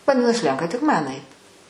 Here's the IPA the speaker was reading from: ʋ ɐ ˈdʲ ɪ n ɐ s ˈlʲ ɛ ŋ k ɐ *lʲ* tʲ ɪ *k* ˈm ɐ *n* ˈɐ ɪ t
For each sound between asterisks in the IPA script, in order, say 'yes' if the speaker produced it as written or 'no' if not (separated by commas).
no, yes, yes